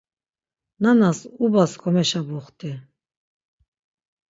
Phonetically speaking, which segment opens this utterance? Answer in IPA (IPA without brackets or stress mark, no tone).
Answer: n